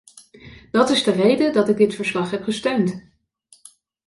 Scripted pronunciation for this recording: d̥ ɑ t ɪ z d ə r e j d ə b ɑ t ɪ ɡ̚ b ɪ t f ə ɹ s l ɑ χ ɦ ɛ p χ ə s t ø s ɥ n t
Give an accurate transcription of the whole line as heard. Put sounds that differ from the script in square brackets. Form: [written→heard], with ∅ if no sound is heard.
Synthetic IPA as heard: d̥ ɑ t ɪ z d ə r e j d ə [b→d] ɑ t ɪ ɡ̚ [b→d] ɪ t f ə ɹ s l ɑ χ ɦ ɛ p χ ə s t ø [s→∅] ɥ n t